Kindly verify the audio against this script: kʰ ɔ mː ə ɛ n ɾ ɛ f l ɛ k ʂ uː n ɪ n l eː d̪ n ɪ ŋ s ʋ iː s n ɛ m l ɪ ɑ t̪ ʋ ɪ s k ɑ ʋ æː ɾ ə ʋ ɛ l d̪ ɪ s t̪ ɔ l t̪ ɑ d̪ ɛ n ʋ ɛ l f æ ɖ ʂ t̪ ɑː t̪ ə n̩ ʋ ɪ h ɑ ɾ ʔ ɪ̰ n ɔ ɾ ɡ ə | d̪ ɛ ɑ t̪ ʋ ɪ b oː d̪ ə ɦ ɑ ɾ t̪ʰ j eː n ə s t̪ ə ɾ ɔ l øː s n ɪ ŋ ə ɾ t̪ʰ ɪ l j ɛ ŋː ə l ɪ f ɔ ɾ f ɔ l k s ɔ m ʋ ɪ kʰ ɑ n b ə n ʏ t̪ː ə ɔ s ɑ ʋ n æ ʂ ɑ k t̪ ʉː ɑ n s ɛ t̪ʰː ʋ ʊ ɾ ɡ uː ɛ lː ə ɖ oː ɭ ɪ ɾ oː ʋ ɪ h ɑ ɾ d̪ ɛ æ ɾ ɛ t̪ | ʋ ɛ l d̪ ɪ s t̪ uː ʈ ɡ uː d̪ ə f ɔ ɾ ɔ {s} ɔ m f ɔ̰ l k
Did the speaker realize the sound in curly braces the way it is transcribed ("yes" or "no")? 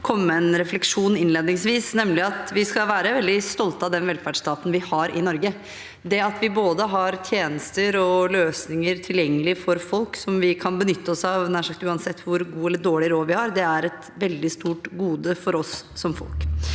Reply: no